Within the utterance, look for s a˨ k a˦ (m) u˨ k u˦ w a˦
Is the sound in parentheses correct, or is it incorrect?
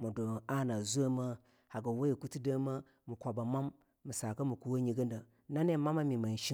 correct